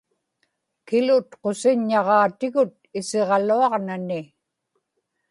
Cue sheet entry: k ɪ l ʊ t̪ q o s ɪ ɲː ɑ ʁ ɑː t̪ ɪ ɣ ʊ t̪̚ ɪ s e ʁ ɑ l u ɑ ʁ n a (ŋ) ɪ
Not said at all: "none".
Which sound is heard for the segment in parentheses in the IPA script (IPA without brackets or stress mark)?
n